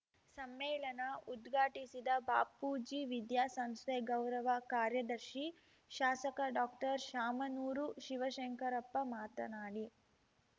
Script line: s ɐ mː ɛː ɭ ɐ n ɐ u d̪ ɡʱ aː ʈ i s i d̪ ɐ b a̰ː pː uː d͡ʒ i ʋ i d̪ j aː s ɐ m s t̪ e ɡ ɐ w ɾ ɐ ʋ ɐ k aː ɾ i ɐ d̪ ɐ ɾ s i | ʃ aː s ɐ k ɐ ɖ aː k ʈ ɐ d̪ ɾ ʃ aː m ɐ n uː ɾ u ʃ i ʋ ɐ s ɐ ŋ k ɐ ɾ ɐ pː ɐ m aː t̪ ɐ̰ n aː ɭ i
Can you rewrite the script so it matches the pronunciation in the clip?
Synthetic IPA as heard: s ɐ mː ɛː ɭ ɐ n ɐ u d̪ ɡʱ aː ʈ i s i d̪ ɐ b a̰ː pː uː d͡ʒ i ʋ i d̪ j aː s ɐ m s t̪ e ɡ ɐ w ɾ ɐ ʋ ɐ k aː ɾ j ɐ d̪ ɐ ɾ ʃ i | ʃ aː s ɐ k ɐ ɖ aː k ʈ ɐ ɾ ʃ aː m ɐ n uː ɾ u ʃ i ʋ ɐ ʃ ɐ ŋ k ɐ ɾ ɐ pː ɐ m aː t̪ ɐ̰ n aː ɽ i